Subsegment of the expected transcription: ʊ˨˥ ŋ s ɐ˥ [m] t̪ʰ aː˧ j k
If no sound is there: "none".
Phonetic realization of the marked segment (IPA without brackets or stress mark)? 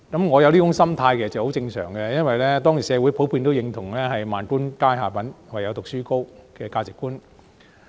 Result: m